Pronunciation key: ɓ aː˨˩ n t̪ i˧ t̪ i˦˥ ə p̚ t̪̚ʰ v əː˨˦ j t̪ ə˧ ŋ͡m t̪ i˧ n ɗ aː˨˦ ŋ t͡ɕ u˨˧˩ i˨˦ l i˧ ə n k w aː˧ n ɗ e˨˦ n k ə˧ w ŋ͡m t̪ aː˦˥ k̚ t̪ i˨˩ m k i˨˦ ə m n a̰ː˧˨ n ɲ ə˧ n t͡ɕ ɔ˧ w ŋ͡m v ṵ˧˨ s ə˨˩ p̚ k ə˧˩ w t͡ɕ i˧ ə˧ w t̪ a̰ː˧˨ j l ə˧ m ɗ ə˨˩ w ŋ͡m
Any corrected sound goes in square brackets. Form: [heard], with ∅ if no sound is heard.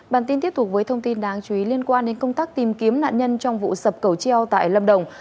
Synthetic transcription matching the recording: ɓ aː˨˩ n t̪ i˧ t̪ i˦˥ ə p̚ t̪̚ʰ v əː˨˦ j [t̪ʰ] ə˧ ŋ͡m t̪ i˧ n ɗ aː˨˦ ŋ t͡ɕ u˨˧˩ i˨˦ l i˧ ə n k w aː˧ n ɗ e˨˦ n k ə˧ w ŋ͡m t̪ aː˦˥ k̚ t̪ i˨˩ m k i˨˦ ə m n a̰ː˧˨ n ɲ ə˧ n t͡ɕ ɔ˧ w ŋ͡m v ṵ˧˨ s ə˨˩ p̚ k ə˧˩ w t͡ɕ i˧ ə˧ w t̪ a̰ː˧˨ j l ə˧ m ɗ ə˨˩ w ŋ͡m